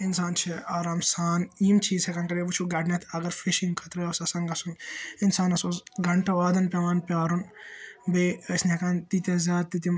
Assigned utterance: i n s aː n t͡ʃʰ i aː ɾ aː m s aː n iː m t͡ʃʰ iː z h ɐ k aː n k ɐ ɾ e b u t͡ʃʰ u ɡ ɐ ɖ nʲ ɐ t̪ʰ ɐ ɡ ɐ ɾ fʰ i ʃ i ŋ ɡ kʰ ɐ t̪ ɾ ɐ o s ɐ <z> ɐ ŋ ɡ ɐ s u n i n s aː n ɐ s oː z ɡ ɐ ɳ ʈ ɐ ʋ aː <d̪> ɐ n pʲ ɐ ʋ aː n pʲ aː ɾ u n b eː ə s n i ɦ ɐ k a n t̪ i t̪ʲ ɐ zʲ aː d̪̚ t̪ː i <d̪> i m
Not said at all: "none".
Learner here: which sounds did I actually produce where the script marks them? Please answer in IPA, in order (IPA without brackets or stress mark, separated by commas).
s, d̪, t̪